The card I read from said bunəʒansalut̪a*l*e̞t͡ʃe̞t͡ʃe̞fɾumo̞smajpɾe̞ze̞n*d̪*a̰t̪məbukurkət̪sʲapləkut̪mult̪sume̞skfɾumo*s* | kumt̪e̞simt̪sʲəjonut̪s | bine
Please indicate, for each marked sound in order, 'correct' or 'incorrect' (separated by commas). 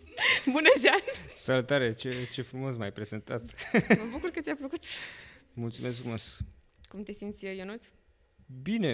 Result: incorrect, incorrect, correct